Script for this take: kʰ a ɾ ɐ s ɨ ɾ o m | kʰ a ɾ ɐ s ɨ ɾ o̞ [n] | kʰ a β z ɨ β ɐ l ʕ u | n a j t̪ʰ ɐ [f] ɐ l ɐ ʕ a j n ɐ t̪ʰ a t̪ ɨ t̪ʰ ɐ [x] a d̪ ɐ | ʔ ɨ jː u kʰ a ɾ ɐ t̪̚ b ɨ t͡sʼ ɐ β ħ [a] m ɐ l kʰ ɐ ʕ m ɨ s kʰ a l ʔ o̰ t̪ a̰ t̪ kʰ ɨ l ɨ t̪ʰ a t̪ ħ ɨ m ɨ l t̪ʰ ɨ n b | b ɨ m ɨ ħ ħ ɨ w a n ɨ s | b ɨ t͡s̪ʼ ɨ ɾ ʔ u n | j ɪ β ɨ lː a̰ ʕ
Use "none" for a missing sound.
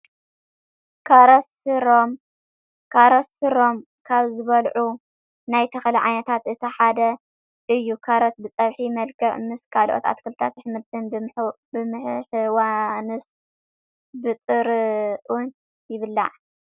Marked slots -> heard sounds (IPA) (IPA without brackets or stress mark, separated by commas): m, x, ħ, i